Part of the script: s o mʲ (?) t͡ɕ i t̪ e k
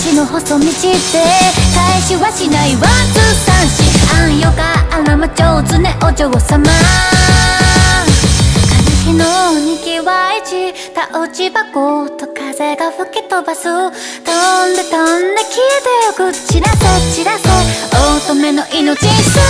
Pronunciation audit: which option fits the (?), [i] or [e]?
i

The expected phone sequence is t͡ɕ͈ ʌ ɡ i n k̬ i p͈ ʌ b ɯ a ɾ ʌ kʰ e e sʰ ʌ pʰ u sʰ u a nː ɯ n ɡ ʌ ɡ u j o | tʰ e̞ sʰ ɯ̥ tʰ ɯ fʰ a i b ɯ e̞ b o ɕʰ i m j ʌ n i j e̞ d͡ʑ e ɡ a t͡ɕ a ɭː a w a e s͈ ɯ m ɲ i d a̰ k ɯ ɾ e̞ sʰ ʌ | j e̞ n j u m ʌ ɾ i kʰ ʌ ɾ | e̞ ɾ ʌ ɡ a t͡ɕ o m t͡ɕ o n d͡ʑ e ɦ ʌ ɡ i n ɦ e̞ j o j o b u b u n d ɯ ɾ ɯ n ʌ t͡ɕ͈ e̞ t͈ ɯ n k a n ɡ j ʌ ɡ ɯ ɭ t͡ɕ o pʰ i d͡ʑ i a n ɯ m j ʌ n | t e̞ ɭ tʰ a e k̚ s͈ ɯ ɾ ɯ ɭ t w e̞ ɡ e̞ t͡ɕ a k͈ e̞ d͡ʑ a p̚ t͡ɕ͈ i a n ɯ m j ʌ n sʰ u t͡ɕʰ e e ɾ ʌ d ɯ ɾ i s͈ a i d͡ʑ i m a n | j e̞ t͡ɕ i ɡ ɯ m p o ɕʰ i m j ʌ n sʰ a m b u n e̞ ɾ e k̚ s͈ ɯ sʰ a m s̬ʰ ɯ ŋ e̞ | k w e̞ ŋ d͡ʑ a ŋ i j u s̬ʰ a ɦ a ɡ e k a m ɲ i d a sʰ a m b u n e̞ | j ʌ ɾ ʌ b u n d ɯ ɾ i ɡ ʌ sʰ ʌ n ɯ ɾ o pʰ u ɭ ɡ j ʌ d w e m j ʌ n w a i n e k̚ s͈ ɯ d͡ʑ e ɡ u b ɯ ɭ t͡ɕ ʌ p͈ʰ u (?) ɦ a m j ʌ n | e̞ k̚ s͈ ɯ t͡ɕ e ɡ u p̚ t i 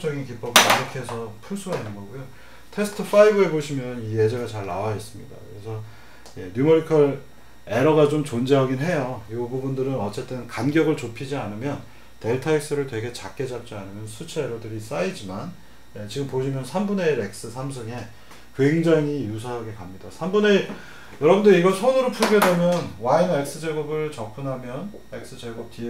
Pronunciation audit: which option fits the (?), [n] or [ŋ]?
n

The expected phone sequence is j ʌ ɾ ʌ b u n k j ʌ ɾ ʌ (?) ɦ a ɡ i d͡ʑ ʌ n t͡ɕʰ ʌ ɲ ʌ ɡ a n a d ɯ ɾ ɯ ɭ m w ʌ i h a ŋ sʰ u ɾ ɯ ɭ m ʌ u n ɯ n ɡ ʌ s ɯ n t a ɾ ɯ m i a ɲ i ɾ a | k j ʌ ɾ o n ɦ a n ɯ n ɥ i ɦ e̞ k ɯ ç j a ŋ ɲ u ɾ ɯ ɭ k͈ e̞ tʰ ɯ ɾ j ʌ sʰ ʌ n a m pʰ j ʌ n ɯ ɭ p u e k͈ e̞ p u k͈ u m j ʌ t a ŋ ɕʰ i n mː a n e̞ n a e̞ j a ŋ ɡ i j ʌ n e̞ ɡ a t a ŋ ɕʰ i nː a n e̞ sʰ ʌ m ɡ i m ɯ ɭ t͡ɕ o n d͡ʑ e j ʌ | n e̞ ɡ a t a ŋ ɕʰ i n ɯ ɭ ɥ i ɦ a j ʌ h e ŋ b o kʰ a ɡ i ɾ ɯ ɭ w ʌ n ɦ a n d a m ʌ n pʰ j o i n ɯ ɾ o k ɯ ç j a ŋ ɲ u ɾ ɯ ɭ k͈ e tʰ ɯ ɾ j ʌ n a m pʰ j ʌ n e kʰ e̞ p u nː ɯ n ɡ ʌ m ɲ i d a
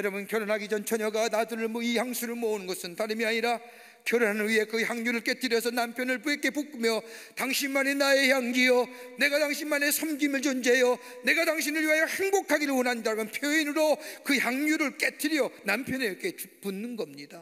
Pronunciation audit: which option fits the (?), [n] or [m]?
n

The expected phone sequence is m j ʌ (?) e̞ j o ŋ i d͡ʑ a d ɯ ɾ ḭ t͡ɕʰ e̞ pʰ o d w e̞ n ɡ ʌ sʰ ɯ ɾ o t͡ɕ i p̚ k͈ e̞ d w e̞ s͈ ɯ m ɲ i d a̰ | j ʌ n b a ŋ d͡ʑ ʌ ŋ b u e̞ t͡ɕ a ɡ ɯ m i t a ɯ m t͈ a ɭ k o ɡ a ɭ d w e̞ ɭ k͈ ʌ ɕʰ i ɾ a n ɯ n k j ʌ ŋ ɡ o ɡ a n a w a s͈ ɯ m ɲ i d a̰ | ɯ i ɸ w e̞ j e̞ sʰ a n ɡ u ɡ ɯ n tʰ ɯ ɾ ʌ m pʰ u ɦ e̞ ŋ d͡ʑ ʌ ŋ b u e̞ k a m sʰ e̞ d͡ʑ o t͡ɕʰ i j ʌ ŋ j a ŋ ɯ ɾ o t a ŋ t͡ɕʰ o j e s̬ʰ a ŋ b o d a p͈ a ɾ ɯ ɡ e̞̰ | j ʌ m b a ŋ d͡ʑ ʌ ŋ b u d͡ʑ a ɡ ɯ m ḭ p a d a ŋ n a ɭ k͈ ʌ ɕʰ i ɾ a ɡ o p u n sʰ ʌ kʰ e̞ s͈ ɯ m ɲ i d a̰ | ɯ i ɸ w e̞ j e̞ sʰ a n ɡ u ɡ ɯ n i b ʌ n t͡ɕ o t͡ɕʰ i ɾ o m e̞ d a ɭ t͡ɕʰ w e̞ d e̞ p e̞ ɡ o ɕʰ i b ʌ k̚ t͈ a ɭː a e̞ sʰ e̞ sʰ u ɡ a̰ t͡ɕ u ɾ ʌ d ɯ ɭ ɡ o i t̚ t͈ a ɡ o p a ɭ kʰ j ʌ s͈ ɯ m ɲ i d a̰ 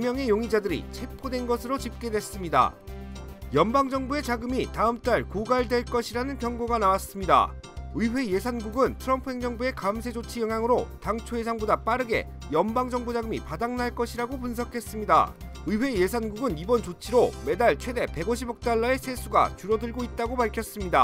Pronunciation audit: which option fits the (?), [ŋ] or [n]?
ŋ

